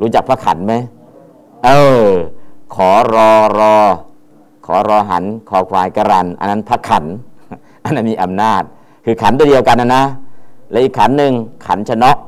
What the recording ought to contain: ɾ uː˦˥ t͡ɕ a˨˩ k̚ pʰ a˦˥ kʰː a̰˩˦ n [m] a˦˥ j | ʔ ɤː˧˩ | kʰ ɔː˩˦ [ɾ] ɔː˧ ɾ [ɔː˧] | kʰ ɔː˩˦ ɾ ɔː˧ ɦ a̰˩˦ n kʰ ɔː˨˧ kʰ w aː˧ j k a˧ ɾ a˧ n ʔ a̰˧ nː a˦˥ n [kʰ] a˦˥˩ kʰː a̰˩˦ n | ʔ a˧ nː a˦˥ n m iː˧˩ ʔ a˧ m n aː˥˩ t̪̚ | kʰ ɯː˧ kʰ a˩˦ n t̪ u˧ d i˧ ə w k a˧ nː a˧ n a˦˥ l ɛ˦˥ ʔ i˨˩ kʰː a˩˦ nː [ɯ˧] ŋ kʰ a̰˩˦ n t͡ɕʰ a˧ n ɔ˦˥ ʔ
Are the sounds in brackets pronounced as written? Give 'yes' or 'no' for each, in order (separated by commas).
yes, yes, yes, no, yes